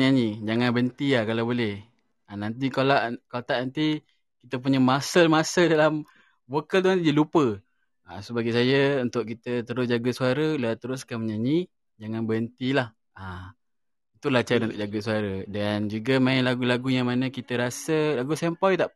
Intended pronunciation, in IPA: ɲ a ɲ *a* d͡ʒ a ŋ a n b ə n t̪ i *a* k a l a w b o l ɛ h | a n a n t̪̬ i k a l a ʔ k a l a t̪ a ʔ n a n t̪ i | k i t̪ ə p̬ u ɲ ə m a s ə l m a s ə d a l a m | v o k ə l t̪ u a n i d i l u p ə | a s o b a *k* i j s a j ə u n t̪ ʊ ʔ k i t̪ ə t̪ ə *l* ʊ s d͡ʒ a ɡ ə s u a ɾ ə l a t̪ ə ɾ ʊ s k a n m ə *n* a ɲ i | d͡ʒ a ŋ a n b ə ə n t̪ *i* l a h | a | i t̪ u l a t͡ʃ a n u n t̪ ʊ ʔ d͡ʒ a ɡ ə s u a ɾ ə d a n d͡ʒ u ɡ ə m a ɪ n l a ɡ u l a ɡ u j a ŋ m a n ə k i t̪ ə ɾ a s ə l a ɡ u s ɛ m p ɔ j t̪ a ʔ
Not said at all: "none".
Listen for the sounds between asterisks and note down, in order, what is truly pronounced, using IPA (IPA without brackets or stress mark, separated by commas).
i, a, ɡ, ɾ, ɲ, i